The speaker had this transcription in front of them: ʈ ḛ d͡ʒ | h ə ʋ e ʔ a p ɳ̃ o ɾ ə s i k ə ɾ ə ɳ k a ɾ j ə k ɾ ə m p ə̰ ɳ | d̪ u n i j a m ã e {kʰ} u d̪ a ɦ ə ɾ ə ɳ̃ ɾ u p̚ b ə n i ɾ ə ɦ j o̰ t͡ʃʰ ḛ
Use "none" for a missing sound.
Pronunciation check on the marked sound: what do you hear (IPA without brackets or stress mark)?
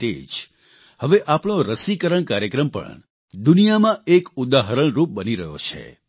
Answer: k